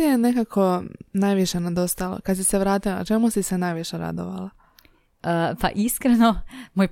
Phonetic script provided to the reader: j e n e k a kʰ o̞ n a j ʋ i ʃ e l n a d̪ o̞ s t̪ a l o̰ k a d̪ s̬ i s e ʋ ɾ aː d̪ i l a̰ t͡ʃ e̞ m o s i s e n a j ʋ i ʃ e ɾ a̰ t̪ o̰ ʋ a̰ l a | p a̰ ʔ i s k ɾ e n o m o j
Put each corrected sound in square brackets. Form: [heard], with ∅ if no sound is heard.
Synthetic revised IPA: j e n e k a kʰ o̞ n a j ʋ i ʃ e [∅] n a d̪ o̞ s t̪ a l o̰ k a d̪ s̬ i s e ʋ ɾ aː [t̪] i l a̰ t͡ʃ e̞ m [u] s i s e n a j ʋ i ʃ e ɾ a̰ [d̪] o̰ ʋ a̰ l a | p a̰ ʔ i s k ɾ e n o m o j